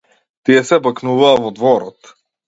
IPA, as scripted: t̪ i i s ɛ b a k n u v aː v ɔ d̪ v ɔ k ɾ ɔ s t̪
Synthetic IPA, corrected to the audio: t̪ i ɛ s ɛ b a k n u v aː v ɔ d̪ v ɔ ɾ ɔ t̪